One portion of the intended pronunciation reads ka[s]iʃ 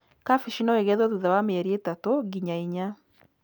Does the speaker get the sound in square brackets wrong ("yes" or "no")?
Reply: yes